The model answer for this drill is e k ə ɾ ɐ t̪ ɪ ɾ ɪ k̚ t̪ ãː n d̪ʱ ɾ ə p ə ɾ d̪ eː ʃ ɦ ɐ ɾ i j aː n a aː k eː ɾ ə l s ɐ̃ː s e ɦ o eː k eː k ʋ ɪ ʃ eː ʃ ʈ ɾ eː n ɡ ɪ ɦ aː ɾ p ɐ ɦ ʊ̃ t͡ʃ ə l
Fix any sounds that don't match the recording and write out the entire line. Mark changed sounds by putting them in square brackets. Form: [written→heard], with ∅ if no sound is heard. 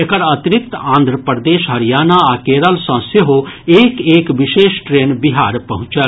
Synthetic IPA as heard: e k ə ɾ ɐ t̪ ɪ ɾ ɪ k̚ t̪ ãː n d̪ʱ ɾ ə p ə ɾ d̪ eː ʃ ɦ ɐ ɾ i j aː n a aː k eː ɾ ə l s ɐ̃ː s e ɦ o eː k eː k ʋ ɪ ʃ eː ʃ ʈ ɾ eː n [ɡ→b] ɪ ɦ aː ɾ p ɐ ɦ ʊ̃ t͡ʃ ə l